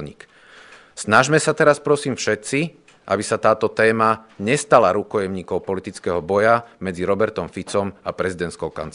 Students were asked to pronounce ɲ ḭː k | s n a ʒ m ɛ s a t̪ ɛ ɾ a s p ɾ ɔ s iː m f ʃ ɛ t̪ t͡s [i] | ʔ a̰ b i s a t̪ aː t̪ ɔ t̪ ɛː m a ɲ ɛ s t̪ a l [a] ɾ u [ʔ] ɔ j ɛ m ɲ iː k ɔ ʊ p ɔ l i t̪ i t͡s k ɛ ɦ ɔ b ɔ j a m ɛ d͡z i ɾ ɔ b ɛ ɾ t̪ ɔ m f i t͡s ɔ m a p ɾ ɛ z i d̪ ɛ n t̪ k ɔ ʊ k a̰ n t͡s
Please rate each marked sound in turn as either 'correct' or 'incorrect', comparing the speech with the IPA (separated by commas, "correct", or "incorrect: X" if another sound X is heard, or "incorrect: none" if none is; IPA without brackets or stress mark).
correct, correct, incorrect: k